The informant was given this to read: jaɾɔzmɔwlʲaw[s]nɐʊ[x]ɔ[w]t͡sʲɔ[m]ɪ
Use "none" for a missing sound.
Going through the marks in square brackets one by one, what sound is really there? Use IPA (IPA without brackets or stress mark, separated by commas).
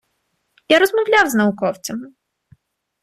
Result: z, k, w, m